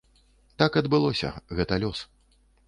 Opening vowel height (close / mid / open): open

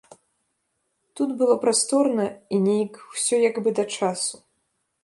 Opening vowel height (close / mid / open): close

